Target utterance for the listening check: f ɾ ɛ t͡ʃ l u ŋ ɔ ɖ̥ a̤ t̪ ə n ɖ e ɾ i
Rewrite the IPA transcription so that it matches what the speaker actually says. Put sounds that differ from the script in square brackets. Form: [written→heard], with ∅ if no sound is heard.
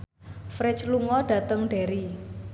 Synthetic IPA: f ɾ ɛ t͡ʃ l u ŋ ɔ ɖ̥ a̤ t̪ ə [n→ŋ] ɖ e ɾ i